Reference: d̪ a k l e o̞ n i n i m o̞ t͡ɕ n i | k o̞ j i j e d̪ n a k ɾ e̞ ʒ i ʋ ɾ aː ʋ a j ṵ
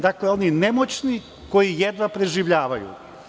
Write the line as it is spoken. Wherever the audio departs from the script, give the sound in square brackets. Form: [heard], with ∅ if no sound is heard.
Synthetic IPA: d̪ a k l e o̞ n i n [e] m o̞ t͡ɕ n i | k o̞ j i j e d̪ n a [p] ɾ e̞ ʒ i ʋ [ʎ] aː ʋ a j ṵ